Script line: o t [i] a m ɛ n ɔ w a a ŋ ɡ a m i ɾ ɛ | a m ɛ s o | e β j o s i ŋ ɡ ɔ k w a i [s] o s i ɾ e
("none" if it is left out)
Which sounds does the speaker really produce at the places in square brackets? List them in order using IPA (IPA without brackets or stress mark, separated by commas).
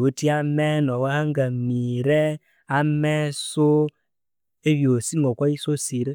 i, s